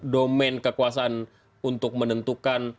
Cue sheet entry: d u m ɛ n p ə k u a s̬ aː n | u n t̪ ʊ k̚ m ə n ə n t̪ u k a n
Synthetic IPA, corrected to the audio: d o m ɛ n k ə k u a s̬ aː n | u n t̪ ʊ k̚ m ə n ə n t̪ u k a n